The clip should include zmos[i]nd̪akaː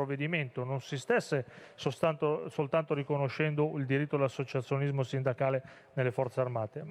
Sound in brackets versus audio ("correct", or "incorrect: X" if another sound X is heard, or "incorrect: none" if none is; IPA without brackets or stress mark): correct